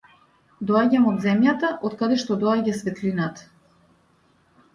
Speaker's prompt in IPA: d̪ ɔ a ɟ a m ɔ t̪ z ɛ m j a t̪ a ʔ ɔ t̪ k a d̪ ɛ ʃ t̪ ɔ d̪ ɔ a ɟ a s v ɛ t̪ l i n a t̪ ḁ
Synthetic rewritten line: d̪ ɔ a ɟ a m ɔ d̪ z ɛ m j a t̪ a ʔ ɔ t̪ k a d̪ ɛ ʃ t̪ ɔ d̪ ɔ a ɟ a s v ɛ t̪ l i n a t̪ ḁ